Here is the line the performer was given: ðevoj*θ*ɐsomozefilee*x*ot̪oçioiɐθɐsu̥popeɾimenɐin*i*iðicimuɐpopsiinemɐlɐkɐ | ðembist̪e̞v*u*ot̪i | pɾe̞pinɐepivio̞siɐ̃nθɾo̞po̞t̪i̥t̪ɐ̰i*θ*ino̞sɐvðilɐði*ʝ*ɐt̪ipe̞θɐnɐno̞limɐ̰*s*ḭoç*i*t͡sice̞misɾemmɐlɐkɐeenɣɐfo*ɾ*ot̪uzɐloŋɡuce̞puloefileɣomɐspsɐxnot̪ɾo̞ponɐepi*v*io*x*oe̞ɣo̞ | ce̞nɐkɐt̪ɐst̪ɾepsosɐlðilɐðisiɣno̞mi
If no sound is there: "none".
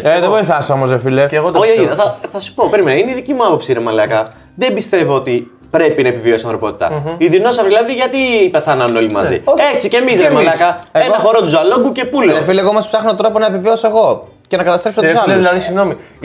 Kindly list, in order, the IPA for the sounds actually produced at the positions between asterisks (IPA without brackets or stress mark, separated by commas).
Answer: θ, ɣ, e, o, ð, ʝ, z, e, ɾ, v, s